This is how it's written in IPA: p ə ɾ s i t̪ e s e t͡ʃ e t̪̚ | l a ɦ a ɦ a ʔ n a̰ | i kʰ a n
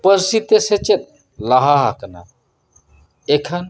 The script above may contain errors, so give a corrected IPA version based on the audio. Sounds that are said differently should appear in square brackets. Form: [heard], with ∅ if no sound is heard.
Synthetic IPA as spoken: p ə ɾ s i t̪ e s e t͡ʃ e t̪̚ | l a ɦ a ɦ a [k] n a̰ | [e] kʰ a n